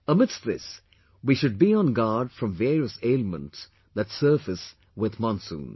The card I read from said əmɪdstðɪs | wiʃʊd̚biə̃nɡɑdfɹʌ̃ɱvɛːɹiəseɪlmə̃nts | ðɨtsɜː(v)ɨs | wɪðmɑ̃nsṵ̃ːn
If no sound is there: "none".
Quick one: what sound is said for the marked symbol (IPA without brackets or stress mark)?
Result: f